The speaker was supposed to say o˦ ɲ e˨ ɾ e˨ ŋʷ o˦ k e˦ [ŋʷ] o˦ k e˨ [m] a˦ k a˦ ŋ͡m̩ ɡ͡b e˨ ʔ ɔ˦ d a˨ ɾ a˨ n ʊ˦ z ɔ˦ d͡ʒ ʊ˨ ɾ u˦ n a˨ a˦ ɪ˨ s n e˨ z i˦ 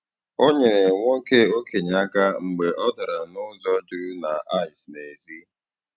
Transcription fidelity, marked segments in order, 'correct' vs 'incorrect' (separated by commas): incorrect, incorrect